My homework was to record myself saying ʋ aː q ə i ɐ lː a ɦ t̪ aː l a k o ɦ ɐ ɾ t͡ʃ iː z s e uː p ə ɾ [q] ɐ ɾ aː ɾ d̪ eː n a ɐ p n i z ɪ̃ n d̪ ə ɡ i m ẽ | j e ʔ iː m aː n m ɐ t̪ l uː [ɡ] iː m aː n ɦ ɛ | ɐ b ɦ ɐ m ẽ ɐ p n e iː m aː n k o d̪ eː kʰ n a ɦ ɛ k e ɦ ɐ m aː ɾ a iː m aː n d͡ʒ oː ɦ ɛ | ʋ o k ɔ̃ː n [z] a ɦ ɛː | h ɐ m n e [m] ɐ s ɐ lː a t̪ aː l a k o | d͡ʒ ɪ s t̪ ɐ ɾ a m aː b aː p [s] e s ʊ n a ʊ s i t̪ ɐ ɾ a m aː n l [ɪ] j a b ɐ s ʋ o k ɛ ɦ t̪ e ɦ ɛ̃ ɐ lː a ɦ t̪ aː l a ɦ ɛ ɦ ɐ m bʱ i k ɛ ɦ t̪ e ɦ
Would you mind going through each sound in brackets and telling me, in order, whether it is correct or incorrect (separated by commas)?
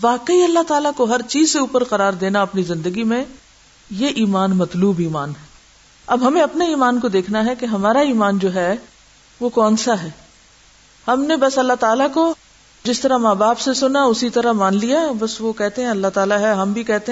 correct, incorrect, incorrect, incorrect, correct, incorrect